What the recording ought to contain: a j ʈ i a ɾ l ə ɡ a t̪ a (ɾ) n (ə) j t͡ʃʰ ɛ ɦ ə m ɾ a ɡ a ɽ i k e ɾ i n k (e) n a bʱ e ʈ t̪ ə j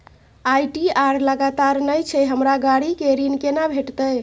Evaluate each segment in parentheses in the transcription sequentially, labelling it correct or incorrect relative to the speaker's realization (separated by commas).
correct, correct, correct